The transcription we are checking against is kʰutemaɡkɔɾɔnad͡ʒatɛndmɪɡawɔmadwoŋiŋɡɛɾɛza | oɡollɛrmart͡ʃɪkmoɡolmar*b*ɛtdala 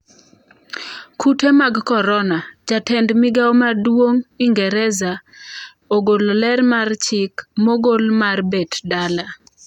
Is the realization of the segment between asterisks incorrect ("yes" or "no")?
no